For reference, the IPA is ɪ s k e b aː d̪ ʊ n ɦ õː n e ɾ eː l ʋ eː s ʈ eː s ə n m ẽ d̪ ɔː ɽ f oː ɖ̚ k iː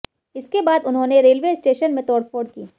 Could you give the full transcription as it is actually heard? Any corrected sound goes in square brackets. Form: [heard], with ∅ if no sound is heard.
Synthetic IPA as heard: ɪ s k e b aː d̪ ʊ n ɦ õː n e ɾ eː l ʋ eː s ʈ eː [ʃ] ə n m ẽ [t̪] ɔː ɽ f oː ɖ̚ k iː